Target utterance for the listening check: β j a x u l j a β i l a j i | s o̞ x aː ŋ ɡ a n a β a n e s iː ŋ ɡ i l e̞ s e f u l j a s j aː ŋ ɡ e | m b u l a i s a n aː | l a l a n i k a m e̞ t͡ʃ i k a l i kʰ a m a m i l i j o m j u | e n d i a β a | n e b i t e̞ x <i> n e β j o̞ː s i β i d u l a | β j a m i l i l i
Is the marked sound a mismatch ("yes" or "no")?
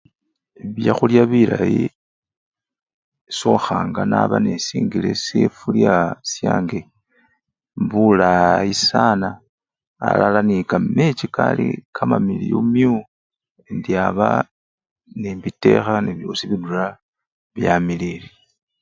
yes